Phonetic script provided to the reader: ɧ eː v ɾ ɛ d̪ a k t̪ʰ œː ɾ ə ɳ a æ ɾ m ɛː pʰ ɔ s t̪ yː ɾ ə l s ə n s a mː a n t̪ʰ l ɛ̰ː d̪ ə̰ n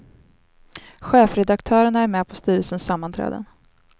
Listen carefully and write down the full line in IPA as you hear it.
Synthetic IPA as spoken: ɧ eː f ɾ ɛ d̪ a k t̪ʰ œː ɾ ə ɳ a æ ɾ m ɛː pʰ ɔ s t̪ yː ɾ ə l s ə n s a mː a n t̪ʰ ɾ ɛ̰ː d̪ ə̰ n

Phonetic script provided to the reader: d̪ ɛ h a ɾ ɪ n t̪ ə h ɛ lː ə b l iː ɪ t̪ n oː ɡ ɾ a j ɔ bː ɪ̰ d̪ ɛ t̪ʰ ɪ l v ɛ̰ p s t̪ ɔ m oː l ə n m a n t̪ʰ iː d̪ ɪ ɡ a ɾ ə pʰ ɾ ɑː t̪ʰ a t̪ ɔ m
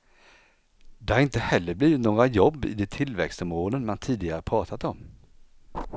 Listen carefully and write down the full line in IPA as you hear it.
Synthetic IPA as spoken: d̪ ɛ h a ɾ ɪ n t̪ ə h ɛ lː ə b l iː ɪ t̪ n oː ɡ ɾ a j ɔ bː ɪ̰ d̪ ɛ t̪ʰ ɪ l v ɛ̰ k s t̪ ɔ m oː l ə n m a n t̪ʰ iː d̪ ɪ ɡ a ɾ ə pʰ ɾ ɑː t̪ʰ a t̪ ɔ m

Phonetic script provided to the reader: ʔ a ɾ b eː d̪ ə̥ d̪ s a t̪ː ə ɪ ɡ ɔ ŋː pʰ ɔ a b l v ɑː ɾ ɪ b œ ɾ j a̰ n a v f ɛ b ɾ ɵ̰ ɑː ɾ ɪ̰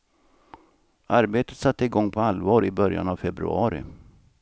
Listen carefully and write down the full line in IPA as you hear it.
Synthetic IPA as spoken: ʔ a ɾ b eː t̪ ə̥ t̪ s a t̪ː ə ɪ ɡ ɔ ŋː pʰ ɔ a l v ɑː ɾ ɪ b œ ɾ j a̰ n a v f ɛ b ɾ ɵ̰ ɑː ɾ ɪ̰

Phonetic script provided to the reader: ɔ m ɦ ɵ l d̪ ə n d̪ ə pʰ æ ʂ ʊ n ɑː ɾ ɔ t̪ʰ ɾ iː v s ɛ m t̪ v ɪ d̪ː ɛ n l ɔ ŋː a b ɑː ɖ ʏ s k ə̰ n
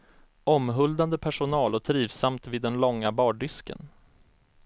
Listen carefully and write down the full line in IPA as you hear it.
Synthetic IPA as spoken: ɔ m ɦ ɵ l d̪ a n d̪ ə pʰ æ ʂ ʊ n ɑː l ɔ t̪ʰ ɾ iː v s a m t̪ v ɪ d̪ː ɛ n l ɔ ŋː a b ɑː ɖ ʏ s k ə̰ n

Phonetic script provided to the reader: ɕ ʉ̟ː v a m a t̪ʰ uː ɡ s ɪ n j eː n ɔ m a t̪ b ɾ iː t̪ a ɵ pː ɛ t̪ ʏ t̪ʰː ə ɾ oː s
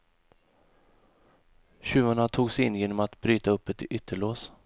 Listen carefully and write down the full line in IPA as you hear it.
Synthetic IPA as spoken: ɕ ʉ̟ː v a ɳ a t̪ʰ uː ɡ s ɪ n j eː n ɔ m a t̪ b ɾ yː t̪ a ɵ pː ɛ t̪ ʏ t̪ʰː ə ɭ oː s

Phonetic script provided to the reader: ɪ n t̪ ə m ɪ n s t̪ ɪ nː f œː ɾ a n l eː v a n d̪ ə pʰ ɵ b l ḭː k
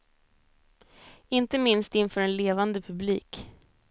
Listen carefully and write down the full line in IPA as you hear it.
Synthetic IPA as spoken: ɪ n t̪ ə m ɪ n s t̪ ɪ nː f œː ɾ ɛ n l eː v a n d̪ ə pʰ ɵ b l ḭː k

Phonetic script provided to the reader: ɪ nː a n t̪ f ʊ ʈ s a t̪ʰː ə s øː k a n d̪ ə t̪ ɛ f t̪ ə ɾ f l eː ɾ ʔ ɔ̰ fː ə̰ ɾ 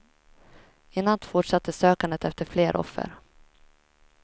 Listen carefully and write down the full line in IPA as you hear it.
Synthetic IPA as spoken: ɪ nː a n t̪ f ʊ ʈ ʂ a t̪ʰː ə s øː k a n d̪ ə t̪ ɛ f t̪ ə ɾ f l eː ɾ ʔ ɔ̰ fː ə̰ ɾ

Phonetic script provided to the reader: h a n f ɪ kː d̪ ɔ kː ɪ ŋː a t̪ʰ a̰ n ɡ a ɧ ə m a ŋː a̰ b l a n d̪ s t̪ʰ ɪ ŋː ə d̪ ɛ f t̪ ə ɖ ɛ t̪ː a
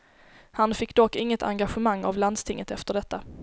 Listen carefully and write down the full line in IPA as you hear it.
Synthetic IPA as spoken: h a n f ɪ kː d̪ ɔ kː ɪ ŋː ə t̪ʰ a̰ ŋ ɡ a ɧ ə m a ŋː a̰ v l a n d̪ s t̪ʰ ɪ ŋː ə t̪ ɛ f t̪ ə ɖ ɛ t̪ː a

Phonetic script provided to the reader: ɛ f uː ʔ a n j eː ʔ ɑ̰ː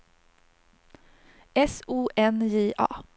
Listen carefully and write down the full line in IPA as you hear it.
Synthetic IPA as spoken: ɛ s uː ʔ ɛ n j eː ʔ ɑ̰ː

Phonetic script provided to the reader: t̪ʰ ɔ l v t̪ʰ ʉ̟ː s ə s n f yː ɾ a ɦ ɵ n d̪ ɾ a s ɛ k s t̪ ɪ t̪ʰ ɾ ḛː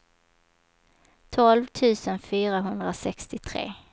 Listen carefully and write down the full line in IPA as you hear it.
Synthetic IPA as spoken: t̪ʰ ɔ l v t̪ʰ ʉ̟ː s ə n f yː ɾ a ɦ ɵ n d̪ ɾ a s ɛ k s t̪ ɪ t̪ʰ ɾ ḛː

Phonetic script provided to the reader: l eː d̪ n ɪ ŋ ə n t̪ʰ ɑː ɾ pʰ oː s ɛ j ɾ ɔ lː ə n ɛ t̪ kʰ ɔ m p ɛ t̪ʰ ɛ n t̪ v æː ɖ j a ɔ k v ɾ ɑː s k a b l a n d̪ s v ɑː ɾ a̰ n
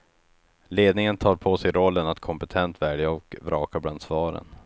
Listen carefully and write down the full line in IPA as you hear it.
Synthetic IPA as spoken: l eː d̪ n ɪ ŋ ə n t̪ʰ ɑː ɾ pʰ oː s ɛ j ɾ ɔ lː ə n a t̪ kʰ ɔ m p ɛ t̪ʰ ɛ n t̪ v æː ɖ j a ɔ k v ɾ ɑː k a b l a n d̪ s v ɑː ɾ ə̰ n

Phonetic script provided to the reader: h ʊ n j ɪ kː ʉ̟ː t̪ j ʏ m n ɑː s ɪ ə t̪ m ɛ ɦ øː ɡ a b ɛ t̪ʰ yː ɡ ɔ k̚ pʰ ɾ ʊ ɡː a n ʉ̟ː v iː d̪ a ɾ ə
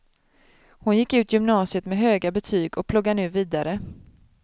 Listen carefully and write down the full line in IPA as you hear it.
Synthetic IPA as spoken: h ʊ n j ɪ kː ʉ̟ː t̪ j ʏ m n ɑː s ɪ ə t̪ m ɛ ɦ øː ɡ a b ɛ t̪ʰ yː ɡ ɔ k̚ pʰ l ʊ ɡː a n ʉ̟ː v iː d̪ a ɾ ə

